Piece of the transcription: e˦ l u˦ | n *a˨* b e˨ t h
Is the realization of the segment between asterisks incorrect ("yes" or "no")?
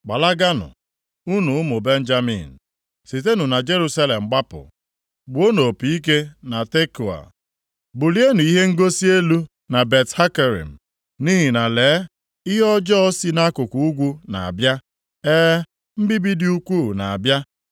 no